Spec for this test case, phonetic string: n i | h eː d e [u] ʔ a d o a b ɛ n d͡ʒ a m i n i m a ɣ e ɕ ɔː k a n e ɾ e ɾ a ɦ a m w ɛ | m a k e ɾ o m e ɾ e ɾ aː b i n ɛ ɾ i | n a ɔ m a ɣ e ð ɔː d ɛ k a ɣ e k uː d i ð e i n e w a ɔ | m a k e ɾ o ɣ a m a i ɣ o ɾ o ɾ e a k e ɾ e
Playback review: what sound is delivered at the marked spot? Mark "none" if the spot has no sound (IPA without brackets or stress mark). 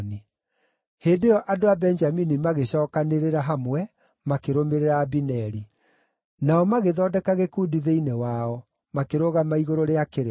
ɔ